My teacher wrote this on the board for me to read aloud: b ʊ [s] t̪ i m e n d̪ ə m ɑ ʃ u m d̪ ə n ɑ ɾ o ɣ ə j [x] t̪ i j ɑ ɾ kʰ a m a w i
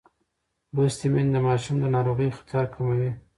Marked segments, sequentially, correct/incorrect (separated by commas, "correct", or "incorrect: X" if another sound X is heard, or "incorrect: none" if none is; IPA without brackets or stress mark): correct, correct